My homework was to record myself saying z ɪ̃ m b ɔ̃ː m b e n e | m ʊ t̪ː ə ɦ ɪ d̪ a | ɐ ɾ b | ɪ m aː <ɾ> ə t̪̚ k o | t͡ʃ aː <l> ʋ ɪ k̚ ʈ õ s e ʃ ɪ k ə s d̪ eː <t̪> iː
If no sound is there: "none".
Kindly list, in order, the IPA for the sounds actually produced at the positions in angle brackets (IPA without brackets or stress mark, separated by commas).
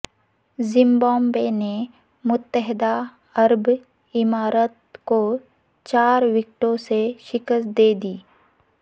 ɾ, ɾ, d̪